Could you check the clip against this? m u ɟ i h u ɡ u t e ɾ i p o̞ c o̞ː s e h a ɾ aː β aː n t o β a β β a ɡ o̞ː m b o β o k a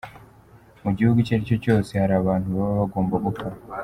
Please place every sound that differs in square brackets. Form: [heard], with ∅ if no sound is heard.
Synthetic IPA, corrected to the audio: m u ɟ i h u ɡ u [c] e ɾ i [c] o̞ c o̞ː s e h a ɾ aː β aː n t [u] β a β β a ɡ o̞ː m b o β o k a